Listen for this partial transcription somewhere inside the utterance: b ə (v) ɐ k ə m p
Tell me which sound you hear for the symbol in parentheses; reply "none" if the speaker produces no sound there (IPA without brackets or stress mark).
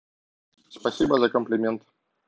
z